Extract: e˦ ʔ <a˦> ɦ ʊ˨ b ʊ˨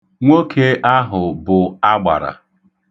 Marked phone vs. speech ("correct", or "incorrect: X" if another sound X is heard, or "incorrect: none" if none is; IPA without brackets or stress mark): correct